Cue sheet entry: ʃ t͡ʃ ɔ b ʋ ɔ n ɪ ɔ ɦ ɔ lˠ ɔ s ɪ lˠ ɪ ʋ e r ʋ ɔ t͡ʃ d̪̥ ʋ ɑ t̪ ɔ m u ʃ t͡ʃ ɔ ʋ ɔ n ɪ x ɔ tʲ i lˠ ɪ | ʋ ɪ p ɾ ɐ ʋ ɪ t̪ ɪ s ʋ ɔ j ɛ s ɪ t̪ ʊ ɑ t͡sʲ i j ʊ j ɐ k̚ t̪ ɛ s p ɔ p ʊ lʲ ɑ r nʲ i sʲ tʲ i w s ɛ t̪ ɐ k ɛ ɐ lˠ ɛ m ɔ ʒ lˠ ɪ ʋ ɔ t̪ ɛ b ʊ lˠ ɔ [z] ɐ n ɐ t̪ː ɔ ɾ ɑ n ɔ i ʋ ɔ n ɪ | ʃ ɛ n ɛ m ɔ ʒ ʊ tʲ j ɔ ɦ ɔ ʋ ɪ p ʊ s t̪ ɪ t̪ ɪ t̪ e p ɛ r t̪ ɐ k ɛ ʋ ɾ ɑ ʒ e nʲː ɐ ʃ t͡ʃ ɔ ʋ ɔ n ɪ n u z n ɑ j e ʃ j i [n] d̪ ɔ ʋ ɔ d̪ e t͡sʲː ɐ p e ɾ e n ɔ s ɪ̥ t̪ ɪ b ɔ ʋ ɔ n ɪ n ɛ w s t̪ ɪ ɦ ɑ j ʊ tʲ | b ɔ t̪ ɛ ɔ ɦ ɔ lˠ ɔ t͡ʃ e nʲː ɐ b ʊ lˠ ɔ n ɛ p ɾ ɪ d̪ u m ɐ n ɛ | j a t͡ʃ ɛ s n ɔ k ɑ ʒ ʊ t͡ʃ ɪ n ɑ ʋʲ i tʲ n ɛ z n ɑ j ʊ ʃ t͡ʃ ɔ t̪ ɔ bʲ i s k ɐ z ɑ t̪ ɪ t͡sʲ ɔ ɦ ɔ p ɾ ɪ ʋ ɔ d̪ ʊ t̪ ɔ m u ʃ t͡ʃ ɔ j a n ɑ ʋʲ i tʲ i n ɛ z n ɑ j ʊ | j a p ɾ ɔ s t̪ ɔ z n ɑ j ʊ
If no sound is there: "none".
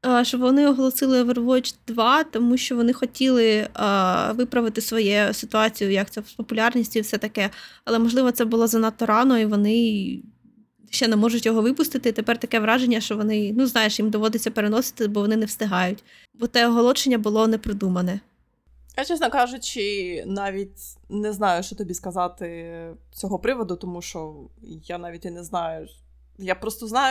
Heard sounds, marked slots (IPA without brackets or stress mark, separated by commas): z, m